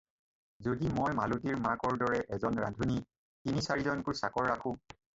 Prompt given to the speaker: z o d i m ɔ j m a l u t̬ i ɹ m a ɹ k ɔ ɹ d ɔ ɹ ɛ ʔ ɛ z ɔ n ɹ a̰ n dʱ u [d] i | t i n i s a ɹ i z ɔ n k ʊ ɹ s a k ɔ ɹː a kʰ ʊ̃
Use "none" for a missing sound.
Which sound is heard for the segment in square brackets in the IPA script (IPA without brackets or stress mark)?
n